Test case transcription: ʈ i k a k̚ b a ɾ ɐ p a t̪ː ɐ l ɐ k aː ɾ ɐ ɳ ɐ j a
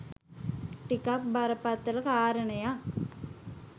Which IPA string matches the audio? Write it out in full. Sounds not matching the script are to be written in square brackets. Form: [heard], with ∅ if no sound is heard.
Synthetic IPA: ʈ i k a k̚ b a ɾ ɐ p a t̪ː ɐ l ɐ k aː ɾ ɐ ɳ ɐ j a

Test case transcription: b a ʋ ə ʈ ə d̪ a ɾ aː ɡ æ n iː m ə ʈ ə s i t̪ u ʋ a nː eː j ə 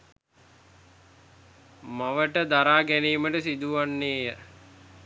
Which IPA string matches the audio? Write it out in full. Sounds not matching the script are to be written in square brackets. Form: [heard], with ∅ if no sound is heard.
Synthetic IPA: [m] a ʋ ə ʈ ə d̪ a ɾ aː ɡ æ n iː m ə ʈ ə s i [d̪] u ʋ a nː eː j ə

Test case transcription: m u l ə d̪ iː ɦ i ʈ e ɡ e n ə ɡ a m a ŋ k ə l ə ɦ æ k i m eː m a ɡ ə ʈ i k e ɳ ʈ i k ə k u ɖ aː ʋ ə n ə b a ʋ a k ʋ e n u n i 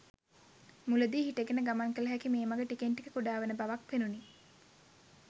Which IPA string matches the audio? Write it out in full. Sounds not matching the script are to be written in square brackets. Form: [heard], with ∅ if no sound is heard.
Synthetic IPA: m u l ə d̪ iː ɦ i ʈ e ɡ e n ə ɡ a m a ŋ k ə l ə ɦ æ k i m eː m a ɡ ə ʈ i k e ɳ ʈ i k ə k u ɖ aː ʋ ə n ə b a ʋ a k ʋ e n u n i

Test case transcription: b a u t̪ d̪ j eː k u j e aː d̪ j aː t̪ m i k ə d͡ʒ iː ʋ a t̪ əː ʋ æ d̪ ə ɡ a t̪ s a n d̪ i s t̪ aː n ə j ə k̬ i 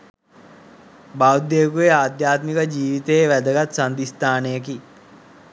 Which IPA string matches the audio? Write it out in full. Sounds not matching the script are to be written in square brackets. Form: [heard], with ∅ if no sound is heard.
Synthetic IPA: b a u [∅] d̪ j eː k u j e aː d̪ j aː t̪ m i k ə d͡ʒ iː ʋ [i] t̪ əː ʋ æ d̪ ə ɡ a t̪ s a n d̪ i s t̪ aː n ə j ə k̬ i

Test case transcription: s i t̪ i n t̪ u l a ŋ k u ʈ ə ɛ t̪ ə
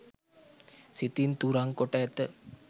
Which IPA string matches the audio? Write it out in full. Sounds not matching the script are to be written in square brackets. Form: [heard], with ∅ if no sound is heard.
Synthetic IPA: s i t̪ i n t̪ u [ɾ] a ŋ k [o] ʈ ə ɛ t̪ ə

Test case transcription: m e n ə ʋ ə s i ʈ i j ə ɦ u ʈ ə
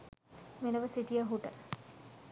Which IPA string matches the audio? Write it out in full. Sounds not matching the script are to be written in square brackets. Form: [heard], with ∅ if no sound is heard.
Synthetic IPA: m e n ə ʋ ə s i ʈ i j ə ɦ u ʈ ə

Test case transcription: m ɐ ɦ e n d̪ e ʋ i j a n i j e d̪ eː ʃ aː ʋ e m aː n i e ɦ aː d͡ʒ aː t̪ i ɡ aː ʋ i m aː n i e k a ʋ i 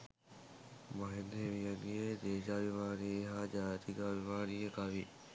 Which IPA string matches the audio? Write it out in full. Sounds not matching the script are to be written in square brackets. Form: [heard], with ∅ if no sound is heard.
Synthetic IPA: m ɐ ɦ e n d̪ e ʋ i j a n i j e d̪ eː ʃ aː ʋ [i] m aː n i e ɦ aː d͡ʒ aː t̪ i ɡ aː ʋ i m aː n i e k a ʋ i

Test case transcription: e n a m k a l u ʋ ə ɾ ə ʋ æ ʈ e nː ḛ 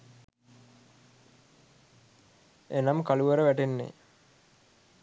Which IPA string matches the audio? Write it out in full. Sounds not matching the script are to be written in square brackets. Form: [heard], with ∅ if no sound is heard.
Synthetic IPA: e n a m k a l u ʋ ə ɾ ə ʋ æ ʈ e nː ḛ

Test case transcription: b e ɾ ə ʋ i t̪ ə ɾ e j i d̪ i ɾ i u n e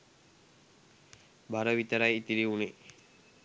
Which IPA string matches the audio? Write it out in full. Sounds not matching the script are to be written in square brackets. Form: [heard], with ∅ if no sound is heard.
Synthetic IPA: b [a] ɾ ə ʋ i t̪ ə ɾ [a] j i [t̪] i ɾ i u n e

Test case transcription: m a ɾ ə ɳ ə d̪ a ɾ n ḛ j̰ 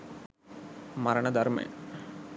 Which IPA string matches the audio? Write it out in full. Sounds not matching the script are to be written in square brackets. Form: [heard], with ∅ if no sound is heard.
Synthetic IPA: m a ɾ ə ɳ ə d̪ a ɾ [m] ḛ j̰

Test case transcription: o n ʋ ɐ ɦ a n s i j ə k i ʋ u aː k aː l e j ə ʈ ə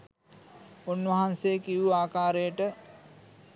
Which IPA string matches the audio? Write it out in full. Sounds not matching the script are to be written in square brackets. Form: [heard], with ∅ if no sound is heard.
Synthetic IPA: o n ʋ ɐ ɦ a n s [e] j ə k i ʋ u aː k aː [ɾ] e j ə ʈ ə

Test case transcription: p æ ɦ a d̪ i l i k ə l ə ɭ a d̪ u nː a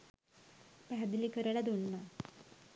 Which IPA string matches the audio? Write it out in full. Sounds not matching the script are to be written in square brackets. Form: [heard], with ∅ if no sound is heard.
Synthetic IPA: p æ ɦ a d̪ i l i k ə [ɾ] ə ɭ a d̪ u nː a

